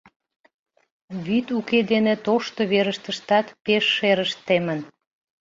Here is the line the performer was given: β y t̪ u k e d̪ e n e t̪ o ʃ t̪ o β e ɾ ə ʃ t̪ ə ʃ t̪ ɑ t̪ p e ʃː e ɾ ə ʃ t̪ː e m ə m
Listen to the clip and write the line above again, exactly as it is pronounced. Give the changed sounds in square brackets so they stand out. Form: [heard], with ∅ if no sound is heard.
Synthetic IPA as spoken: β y t̪ u k e d̪ e n e t̪ o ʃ t̪ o β e ɾ ə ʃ t̪ ə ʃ t̪ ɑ t̪ p e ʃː e ɾ ə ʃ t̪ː e m ə [n]